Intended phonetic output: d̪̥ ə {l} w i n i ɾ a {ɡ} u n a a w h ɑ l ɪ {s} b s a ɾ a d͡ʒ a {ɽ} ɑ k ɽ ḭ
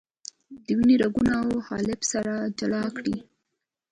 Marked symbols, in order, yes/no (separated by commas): no, yes, no, no